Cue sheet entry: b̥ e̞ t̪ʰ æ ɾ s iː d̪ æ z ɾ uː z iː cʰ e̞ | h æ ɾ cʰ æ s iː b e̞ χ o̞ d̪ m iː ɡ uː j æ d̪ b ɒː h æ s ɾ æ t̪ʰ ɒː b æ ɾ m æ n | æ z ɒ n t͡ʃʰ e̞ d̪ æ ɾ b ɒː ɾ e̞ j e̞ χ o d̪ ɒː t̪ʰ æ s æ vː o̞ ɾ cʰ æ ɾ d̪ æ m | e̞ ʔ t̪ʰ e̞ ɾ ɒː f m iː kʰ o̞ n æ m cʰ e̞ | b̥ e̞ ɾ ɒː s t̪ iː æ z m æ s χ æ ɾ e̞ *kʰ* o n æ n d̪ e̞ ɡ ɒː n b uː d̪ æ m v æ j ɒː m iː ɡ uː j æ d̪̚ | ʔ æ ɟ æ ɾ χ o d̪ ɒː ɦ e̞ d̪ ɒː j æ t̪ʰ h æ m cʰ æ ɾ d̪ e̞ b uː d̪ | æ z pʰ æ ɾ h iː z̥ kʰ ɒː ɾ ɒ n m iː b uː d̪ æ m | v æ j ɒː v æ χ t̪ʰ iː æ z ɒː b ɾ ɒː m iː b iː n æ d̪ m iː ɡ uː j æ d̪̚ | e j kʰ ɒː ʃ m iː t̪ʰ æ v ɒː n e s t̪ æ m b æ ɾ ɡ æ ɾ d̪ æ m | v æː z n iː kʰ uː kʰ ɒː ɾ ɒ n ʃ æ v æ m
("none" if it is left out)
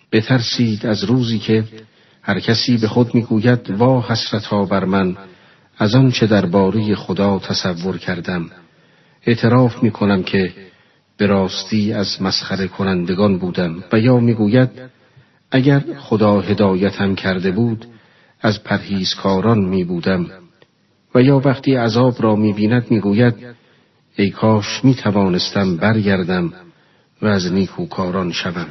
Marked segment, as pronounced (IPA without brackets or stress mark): kʰ